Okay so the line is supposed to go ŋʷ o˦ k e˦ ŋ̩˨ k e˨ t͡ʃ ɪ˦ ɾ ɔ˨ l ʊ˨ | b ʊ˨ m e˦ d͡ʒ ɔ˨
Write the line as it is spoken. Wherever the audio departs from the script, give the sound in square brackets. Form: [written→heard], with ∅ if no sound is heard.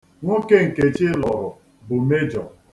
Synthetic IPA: ŋʷ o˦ k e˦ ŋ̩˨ k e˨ t͡ʃ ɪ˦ [ɾ→l] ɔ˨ [l→ɾ] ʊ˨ | b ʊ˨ m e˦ d͡ʒ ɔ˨